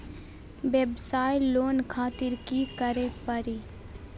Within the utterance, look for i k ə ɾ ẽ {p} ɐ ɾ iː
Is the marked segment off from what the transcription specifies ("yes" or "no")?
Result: no